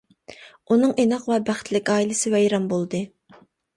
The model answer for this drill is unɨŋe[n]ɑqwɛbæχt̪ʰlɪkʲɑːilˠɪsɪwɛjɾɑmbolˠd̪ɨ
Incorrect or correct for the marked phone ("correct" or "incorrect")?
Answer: correct